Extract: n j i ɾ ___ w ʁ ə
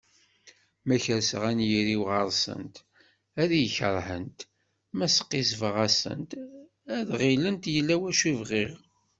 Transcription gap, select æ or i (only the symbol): i